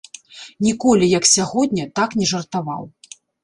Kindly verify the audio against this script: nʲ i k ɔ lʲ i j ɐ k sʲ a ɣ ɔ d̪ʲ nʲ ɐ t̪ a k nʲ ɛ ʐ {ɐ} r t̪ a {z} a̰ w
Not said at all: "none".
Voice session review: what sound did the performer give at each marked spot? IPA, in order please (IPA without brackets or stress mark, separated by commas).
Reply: ɐ, v